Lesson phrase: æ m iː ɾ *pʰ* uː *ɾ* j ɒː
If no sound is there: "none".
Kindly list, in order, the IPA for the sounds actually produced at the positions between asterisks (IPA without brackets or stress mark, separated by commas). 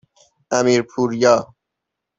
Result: pʰ, ɾ